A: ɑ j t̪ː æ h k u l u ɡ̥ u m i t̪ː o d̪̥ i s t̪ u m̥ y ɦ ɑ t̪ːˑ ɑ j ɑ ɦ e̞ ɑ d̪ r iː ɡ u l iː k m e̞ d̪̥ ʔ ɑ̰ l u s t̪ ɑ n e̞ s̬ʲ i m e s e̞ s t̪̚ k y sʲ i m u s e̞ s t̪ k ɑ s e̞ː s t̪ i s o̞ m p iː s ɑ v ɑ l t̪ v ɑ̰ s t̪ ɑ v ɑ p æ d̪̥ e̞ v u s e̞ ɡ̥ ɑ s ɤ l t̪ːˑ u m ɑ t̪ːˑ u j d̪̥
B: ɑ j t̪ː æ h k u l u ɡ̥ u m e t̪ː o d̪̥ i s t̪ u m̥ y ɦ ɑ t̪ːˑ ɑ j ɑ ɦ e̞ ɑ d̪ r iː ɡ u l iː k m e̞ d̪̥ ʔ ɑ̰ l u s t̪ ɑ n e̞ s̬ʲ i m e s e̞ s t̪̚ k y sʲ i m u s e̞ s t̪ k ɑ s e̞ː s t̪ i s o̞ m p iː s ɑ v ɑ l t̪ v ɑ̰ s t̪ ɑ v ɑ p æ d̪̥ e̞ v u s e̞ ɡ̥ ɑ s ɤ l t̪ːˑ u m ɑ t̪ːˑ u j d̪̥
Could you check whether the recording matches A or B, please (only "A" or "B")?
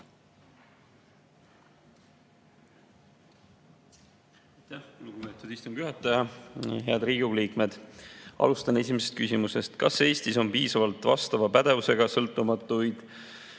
B